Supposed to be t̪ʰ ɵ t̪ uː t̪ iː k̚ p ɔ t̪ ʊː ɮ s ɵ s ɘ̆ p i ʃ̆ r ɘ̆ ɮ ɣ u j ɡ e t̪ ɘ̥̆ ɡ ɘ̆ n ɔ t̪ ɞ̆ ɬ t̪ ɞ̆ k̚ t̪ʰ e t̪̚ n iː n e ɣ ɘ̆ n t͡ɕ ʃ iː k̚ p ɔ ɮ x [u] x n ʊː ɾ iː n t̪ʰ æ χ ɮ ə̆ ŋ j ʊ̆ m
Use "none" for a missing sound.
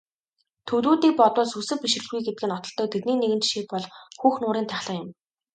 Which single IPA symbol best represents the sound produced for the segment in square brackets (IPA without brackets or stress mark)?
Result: uː